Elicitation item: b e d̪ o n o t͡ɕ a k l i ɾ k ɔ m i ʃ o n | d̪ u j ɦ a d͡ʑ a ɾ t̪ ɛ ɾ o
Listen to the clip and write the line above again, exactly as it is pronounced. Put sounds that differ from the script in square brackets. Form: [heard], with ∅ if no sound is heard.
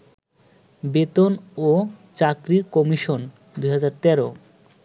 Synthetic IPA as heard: b e [t̪] o n o t͡ɕ a k [ɾ] i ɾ k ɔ m i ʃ o n | d̪ u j ɦ a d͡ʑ a ɾ t̪ ɛ ɾ o